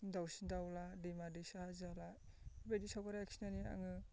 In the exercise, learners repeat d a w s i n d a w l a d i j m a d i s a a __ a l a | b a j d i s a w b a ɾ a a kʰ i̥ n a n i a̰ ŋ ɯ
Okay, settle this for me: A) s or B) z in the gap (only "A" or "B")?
B